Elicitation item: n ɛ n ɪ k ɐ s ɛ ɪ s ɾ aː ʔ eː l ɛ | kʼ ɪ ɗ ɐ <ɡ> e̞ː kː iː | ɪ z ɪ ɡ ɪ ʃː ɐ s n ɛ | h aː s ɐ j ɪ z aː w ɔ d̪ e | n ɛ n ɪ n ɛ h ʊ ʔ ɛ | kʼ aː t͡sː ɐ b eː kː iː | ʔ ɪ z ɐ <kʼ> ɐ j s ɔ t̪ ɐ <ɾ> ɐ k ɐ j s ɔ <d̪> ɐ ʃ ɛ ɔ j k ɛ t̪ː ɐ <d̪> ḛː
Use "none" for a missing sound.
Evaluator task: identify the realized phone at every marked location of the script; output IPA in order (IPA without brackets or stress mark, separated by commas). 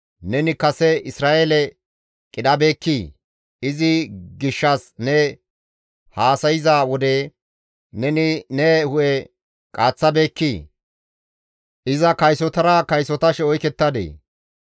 b, k, ɾ, t̪, d̪